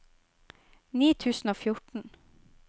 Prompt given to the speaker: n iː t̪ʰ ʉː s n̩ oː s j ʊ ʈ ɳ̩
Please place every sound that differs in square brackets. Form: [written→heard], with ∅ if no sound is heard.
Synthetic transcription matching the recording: n iː t̪ʰ ʉː s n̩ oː [s→f] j ʊ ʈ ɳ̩